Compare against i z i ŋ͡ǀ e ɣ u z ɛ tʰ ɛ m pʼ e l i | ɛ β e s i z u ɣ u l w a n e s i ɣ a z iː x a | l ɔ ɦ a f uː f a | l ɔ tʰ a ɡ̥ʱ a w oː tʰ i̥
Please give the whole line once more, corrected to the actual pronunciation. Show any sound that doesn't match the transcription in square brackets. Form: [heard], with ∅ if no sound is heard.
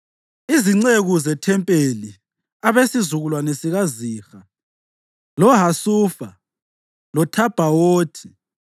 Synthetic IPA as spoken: i z i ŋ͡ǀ e ɣ u z ɛ tʰ ɛ m pʼ e l i | [a] β e s i z u ɣ u l w a n e s i ɣ a z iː x a | l ɔ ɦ a [s] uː f a | l ɔ tʰ a [b̥ʱ] a w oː tʰ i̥